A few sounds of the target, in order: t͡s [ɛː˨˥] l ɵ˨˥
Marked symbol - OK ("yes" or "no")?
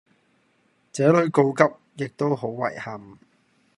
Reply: yes